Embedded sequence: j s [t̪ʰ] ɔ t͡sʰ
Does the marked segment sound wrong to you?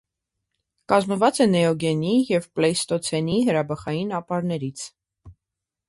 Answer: yes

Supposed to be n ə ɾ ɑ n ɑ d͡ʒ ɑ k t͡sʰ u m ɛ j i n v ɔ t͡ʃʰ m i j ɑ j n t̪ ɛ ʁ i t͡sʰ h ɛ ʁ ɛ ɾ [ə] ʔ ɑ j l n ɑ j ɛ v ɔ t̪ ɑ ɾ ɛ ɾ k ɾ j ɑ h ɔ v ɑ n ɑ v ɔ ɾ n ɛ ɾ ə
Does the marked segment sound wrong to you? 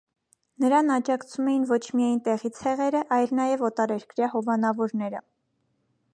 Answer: no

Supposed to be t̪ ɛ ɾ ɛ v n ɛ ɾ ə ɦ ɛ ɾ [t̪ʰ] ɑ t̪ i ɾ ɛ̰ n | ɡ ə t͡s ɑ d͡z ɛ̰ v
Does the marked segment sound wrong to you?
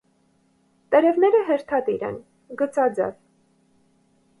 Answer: no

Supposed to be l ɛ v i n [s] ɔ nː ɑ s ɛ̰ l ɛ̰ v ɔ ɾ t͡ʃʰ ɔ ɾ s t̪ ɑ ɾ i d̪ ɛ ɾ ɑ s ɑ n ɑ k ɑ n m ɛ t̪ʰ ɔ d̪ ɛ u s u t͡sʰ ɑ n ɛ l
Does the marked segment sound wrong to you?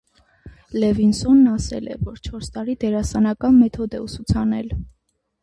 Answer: no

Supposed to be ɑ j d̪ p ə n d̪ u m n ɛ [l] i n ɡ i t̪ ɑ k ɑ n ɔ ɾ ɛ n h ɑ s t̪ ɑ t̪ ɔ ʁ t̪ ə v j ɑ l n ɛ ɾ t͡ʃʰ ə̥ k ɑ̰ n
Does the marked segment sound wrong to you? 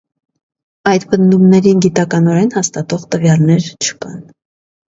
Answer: yes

